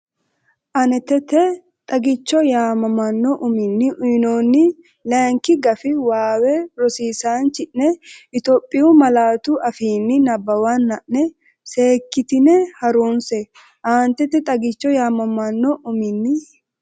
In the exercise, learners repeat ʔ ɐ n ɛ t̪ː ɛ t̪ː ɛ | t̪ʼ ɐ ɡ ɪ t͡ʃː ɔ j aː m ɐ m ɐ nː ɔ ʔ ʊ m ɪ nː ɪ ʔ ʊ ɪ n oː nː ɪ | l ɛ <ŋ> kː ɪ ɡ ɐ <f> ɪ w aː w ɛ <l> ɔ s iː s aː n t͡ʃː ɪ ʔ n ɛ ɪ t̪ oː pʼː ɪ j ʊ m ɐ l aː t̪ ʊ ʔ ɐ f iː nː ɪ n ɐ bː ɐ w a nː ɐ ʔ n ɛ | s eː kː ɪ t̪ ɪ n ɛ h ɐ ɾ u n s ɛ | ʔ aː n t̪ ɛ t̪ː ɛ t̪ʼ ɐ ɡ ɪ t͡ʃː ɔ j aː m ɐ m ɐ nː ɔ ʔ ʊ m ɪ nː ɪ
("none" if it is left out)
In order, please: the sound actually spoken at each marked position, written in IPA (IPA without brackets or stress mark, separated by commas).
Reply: ŋ, f, ɾ